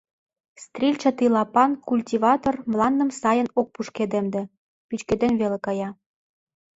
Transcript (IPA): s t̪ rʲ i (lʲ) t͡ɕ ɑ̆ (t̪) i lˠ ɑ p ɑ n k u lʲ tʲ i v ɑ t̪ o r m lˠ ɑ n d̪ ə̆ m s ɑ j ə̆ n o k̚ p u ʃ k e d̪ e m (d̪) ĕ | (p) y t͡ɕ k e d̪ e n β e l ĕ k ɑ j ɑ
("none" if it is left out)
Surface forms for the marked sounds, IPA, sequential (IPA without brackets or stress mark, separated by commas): lʲ, t̪, d̪, p